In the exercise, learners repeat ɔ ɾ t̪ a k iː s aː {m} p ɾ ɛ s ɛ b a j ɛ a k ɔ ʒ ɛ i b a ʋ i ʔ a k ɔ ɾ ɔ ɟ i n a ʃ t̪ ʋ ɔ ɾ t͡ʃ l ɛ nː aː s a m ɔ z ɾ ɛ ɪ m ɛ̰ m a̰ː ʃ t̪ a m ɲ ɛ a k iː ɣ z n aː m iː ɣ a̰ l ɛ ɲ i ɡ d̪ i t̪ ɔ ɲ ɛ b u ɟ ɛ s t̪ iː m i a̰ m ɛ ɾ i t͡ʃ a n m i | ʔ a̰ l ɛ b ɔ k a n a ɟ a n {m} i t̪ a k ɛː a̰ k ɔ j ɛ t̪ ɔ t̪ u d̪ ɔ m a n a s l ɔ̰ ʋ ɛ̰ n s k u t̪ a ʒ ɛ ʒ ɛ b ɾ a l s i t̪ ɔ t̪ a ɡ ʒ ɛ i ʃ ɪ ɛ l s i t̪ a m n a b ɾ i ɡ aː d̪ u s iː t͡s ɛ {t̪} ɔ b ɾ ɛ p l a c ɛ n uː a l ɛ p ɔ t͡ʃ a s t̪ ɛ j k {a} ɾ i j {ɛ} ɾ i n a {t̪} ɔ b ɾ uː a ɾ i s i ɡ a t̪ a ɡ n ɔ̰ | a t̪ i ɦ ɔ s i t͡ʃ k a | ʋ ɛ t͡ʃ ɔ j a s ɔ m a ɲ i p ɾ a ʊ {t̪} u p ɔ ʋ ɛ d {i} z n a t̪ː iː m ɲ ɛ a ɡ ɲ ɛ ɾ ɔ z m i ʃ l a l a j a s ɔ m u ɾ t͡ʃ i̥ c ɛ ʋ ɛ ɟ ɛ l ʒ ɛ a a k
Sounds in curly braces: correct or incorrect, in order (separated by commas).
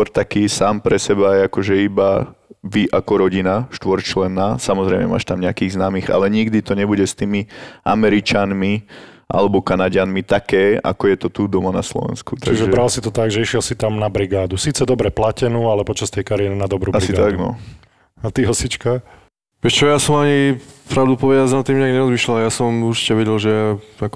correct, correct, incorrect, correct, correct, incorrect, incorrect, incorrect